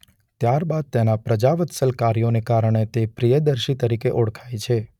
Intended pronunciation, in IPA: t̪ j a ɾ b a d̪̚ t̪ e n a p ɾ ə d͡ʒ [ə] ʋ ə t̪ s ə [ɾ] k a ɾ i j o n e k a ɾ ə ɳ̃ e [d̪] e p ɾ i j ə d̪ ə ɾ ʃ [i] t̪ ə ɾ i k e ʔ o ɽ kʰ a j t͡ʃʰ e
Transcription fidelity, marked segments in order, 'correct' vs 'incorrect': incorrect, incorrect, incorrect, correct

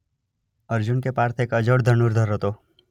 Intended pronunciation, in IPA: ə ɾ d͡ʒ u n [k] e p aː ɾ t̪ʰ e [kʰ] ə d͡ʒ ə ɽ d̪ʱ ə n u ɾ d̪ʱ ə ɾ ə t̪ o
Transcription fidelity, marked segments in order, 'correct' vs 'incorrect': correct, incorrect

